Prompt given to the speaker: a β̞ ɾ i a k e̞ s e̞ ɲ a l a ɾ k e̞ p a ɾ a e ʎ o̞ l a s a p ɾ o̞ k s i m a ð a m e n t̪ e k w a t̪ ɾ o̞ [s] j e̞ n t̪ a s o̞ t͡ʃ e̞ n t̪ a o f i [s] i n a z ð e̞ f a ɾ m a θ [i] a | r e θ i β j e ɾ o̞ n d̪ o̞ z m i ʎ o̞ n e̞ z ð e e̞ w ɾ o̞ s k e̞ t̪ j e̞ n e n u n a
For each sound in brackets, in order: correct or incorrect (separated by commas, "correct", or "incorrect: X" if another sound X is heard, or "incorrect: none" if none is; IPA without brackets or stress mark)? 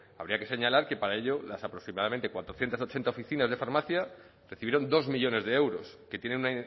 incorrect: θ, incorrect: θ, incorrect: j